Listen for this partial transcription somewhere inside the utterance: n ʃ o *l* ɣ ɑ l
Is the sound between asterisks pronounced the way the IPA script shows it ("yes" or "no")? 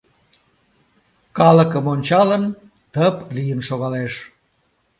no